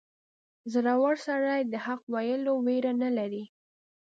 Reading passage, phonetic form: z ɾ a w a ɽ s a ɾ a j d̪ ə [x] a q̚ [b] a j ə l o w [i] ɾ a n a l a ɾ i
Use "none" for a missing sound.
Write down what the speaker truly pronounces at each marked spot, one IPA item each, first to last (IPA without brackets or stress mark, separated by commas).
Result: h, w, e